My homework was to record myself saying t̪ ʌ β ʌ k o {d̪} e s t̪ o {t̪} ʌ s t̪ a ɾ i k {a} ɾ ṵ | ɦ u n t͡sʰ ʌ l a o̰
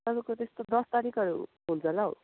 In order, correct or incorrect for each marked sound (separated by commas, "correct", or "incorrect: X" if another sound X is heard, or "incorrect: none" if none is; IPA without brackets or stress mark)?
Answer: incorrect: t̪, incorrect: d̪, incorrect: ʌ